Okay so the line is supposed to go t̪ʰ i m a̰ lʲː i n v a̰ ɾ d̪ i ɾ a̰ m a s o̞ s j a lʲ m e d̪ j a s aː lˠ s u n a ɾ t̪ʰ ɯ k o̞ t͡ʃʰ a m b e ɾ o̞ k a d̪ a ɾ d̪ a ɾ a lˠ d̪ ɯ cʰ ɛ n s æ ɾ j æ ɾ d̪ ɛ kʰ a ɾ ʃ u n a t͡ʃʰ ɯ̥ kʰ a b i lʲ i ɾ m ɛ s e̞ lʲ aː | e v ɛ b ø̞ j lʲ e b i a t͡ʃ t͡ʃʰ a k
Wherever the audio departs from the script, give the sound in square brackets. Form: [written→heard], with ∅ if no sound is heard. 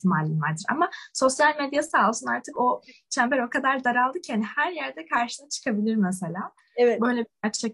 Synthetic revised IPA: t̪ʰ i m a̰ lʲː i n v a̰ ɾ d̪ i ɾ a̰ m a s o̞ s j a lʲ m e d̪ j a s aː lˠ s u n a ɾ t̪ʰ ɯ k o̞ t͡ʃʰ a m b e ɾ o̞ k a d̪ a ɾ d̪ a ɾ a lˠ d̪ ɯ cʰ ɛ n [s→h] æ ɾ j æ ɾ d̪ ɛ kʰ a ɾ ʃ [u→ɯ] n a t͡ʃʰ ɯ̥ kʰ a b i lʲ i ɾ m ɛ s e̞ lʲ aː | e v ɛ b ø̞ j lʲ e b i a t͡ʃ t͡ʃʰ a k